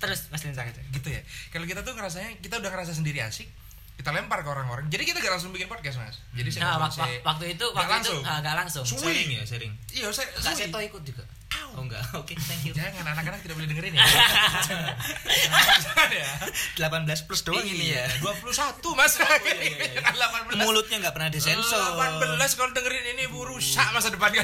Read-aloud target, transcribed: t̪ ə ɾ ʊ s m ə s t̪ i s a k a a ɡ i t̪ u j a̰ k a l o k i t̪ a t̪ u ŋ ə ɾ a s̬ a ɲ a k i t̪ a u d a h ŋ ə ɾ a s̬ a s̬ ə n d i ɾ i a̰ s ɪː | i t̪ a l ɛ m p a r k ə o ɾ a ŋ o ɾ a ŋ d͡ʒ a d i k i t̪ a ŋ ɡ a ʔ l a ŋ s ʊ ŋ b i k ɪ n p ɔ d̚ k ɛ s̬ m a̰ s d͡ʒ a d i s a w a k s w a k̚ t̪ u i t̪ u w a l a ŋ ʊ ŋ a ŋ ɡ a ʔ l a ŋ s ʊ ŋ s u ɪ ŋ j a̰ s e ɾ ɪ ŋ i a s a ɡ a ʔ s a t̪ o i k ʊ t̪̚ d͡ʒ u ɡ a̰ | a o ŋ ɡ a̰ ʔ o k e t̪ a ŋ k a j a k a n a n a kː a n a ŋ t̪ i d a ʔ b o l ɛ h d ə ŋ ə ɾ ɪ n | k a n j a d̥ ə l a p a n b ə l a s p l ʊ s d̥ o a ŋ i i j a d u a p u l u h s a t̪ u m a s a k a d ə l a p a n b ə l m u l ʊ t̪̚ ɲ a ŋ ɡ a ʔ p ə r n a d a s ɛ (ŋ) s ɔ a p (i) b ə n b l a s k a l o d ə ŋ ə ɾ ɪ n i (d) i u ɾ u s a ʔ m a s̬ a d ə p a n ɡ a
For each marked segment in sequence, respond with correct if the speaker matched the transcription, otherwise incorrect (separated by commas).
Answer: incorrect, incorrect, incorrect